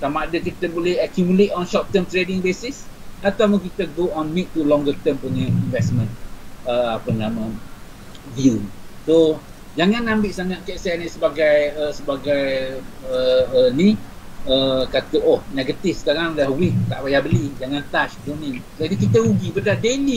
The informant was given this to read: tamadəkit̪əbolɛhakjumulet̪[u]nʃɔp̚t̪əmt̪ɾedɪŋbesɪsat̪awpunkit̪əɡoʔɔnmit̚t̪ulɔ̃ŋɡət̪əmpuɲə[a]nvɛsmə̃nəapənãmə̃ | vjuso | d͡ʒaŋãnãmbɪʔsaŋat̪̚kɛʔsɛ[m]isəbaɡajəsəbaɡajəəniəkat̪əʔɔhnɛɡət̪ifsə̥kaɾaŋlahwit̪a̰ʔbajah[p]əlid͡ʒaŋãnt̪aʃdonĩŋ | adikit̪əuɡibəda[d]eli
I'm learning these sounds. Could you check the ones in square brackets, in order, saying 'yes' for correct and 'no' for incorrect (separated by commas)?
no, no, no, no, yes